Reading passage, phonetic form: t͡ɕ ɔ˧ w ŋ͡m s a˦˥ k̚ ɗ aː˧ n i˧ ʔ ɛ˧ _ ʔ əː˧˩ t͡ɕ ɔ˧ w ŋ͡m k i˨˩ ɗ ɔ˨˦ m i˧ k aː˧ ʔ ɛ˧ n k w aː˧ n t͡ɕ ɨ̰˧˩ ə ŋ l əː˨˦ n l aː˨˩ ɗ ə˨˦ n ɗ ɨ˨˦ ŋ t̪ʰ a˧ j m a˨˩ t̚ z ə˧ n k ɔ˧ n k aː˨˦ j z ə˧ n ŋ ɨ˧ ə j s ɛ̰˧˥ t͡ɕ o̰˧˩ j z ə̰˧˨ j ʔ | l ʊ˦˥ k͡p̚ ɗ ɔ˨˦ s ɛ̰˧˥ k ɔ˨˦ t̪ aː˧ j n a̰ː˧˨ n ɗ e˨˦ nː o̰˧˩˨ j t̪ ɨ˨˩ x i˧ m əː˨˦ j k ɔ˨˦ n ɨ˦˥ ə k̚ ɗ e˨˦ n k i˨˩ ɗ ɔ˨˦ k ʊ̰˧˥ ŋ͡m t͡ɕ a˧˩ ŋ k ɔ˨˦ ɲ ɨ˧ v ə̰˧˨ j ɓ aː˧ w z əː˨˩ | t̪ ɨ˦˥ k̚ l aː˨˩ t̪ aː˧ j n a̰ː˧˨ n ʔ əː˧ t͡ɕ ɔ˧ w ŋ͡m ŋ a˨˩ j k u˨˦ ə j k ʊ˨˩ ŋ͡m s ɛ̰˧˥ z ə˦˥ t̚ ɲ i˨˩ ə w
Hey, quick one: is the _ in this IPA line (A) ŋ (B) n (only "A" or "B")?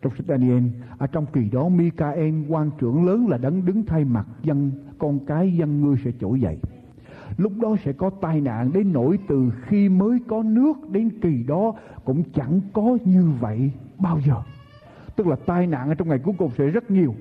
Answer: B